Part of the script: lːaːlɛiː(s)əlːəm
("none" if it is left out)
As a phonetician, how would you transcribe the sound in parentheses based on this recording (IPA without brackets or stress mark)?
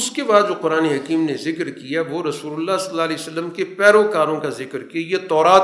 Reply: s